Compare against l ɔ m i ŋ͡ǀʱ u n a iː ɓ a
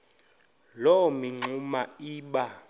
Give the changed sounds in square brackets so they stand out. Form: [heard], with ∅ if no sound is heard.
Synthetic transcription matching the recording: l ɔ m i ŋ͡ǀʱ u [m] a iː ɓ a